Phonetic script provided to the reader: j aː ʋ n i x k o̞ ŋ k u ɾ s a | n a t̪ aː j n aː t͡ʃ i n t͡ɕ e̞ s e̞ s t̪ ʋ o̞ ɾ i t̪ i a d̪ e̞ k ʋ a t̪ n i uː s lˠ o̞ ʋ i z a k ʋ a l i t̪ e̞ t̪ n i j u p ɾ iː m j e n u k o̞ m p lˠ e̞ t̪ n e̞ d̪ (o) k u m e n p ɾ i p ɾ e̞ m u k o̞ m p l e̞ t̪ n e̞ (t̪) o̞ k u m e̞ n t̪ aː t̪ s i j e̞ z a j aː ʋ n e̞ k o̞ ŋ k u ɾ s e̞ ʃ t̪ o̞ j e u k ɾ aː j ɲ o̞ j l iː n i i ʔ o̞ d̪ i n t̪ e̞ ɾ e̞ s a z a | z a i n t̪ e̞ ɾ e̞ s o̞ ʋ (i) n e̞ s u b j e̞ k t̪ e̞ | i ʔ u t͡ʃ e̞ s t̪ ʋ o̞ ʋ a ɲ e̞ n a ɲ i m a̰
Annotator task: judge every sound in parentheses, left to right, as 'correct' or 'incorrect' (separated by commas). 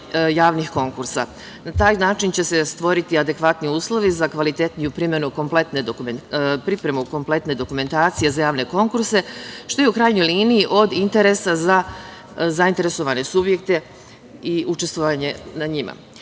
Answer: correct, incorrect, incorrect